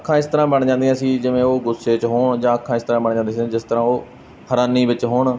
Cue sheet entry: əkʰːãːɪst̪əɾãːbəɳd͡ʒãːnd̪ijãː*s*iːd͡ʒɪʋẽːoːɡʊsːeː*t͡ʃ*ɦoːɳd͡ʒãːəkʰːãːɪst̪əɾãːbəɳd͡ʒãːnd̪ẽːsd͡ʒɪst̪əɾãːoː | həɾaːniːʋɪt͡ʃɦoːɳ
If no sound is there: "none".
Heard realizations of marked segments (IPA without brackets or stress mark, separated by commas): s, t͡ʃ